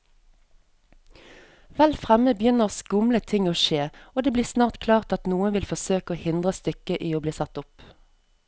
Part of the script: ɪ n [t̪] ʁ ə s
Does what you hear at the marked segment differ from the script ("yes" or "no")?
yes